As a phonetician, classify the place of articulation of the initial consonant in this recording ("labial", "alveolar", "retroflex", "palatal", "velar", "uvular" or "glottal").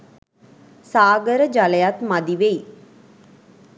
alveolar